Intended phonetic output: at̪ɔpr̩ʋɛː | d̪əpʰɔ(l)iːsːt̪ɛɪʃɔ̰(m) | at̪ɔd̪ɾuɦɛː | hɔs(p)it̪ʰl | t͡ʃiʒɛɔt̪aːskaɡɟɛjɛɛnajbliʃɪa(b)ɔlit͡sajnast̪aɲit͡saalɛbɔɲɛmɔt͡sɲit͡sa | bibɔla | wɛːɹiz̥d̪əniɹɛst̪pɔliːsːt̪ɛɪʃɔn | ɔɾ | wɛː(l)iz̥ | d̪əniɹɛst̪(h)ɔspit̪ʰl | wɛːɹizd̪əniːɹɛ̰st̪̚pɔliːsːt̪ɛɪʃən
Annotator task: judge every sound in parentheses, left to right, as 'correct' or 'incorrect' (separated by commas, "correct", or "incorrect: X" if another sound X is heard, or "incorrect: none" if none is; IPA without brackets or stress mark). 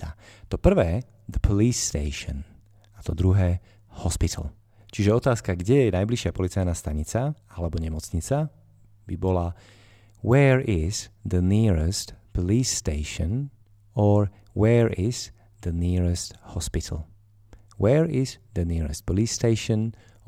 correct, incorrect: n, correct, incorrect: p, incorrect: ɹ, correct